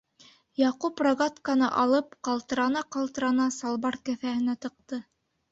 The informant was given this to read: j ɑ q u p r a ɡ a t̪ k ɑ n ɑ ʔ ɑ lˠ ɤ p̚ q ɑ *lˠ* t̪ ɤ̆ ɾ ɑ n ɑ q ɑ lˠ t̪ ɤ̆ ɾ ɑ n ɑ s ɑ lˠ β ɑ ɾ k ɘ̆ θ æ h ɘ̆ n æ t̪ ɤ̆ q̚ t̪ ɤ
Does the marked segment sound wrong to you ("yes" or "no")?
no